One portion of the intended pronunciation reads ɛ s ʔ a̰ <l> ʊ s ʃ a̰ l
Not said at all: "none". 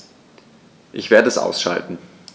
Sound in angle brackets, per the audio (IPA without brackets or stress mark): none